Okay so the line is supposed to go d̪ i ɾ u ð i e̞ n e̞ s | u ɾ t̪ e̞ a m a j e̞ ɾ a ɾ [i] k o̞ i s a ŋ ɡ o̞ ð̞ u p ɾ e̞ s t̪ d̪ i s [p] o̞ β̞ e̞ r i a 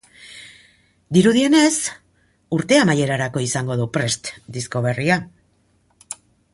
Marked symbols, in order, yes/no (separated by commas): no, no